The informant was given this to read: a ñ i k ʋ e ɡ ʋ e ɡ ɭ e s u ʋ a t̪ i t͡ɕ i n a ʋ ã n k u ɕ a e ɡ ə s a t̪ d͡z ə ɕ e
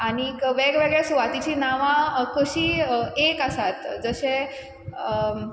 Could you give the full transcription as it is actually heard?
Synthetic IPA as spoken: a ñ i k ʋ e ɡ ʋ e ɡ ɭ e s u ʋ a t̪ i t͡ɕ i n a ʋ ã k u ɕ i e k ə s a t̪ d͡z ə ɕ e